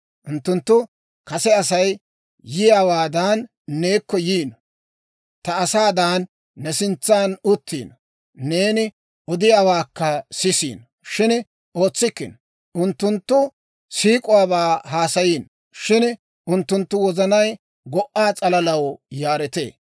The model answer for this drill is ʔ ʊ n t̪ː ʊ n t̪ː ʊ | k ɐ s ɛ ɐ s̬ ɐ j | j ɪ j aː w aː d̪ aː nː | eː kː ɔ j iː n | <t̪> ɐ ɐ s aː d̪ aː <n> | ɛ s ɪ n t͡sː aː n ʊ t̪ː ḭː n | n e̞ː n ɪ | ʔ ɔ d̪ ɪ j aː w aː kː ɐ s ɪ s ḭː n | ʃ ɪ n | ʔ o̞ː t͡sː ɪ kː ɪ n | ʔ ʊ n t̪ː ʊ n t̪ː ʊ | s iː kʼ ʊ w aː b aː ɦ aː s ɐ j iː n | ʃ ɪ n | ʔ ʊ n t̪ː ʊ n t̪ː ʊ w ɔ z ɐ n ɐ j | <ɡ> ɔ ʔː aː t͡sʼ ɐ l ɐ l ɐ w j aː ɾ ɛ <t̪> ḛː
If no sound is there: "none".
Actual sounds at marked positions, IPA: t̪, nː, ɡ, t̪

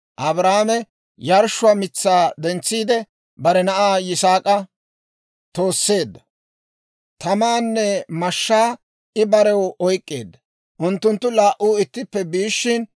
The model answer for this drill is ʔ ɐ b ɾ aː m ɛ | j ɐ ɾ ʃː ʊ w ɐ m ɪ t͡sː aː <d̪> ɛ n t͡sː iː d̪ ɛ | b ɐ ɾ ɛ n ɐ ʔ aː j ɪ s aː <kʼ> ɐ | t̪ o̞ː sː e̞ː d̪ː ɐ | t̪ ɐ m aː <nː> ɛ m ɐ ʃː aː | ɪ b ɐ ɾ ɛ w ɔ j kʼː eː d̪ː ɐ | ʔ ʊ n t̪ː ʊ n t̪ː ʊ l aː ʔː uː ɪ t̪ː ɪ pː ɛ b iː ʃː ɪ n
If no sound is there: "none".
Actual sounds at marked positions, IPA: d̪, kʼ, nː

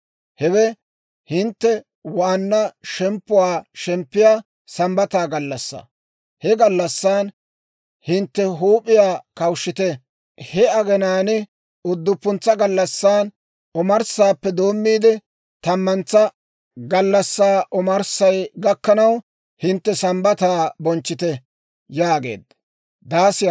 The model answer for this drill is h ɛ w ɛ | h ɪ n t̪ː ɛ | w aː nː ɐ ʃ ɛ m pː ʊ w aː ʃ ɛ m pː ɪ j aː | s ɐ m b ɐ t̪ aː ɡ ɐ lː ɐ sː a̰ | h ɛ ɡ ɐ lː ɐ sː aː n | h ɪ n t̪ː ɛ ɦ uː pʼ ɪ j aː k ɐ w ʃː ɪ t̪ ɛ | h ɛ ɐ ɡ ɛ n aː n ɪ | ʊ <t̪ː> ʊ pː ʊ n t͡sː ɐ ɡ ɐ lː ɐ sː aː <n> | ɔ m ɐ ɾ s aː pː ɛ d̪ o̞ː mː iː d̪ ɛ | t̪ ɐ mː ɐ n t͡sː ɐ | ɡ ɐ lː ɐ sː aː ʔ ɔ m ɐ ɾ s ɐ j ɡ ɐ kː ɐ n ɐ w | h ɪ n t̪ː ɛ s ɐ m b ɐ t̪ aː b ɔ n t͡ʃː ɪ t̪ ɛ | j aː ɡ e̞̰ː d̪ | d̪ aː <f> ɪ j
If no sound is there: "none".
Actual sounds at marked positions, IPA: d̪ː, n, s

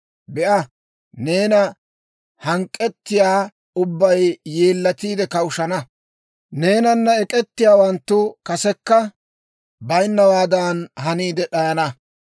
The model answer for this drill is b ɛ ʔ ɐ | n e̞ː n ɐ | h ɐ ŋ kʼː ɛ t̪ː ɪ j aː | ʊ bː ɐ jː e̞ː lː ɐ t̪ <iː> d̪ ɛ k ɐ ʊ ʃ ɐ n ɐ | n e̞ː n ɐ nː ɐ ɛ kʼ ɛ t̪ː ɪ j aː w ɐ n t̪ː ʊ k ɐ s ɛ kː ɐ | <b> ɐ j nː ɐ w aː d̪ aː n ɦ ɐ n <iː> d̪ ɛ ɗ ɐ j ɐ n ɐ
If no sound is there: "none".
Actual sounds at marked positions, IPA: iː, b, iː

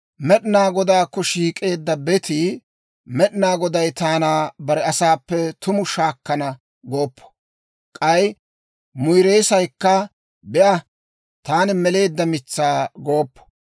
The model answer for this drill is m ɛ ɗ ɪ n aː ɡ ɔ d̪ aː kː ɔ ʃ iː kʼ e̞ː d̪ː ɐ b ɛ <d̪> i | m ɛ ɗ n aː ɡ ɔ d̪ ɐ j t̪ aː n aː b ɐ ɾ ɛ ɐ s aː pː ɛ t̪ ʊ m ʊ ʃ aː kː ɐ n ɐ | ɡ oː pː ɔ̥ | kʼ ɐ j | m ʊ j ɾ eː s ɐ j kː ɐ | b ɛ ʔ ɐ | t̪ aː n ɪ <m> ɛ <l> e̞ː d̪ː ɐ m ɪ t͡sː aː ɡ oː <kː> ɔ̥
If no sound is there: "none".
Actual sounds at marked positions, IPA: t̪, m, l, pː

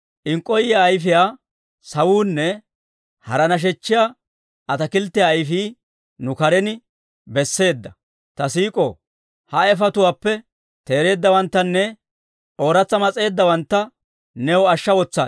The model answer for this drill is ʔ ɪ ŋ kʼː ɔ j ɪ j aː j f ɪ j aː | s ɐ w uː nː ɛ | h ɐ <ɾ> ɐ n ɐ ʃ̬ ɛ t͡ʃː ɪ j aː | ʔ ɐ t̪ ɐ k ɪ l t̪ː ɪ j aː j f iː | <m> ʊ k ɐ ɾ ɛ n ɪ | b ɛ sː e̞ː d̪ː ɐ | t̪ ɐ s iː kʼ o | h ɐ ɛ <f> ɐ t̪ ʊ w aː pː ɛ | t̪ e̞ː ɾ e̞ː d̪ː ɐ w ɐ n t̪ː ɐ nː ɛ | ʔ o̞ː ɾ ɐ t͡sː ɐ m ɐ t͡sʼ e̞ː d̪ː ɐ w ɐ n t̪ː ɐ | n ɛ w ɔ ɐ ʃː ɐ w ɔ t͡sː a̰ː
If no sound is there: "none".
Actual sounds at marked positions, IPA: ɾ, n, f

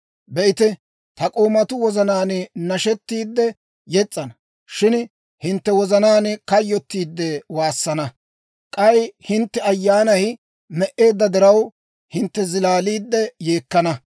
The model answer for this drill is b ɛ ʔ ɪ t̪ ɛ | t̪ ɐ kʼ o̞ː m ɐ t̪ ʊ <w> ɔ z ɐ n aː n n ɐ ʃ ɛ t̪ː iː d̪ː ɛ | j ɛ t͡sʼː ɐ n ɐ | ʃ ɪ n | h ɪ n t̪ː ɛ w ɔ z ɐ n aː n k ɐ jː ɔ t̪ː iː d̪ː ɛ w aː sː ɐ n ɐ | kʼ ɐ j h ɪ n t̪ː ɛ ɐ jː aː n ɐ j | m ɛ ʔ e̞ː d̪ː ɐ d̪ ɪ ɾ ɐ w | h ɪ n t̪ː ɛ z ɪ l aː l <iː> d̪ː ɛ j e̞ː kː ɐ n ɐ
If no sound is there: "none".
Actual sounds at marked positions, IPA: w, iː

